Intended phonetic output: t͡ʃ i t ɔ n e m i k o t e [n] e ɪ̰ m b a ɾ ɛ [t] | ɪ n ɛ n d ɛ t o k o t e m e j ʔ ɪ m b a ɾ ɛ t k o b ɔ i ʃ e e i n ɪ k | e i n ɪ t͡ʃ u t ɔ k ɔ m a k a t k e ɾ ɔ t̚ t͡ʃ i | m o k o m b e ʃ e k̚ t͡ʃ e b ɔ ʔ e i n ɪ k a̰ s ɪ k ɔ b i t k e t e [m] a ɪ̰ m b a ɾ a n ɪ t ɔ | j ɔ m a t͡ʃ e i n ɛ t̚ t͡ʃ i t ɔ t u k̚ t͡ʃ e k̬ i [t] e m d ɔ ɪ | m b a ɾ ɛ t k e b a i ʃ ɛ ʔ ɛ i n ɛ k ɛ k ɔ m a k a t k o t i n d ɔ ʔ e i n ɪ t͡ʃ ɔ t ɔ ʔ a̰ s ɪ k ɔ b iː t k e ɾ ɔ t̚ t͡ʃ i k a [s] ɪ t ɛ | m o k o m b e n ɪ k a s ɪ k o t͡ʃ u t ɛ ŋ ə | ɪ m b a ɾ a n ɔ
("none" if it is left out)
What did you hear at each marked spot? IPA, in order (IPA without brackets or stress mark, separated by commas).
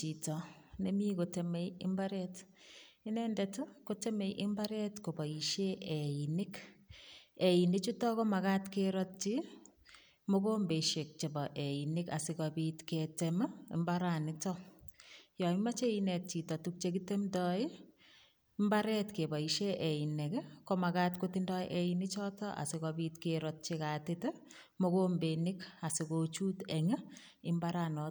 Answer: m, t, m, t, t